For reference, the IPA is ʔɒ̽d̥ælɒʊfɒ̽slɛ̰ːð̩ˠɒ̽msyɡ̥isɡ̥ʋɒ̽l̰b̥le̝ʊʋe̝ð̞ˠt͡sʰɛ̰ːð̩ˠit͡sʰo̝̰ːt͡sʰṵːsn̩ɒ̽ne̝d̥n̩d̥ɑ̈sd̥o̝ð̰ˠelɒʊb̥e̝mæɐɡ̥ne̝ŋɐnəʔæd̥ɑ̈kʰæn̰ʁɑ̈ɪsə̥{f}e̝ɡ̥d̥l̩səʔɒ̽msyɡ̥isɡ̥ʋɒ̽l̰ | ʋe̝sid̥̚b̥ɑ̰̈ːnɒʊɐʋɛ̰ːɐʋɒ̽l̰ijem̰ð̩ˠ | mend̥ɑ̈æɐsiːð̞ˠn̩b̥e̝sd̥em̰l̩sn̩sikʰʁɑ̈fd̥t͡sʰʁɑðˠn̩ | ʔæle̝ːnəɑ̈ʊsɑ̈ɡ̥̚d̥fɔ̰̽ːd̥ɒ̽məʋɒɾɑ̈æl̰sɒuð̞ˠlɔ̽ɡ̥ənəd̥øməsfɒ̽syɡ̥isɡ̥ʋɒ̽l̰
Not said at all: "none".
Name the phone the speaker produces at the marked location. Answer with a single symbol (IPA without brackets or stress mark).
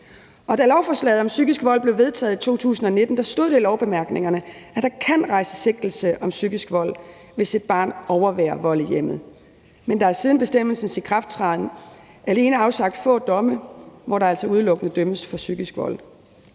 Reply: s